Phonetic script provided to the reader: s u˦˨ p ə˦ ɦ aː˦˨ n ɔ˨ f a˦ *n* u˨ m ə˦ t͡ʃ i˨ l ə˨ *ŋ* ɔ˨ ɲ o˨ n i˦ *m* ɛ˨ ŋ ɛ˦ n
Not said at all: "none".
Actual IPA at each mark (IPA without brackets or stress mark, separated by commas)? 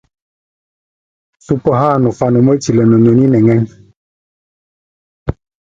n, n, n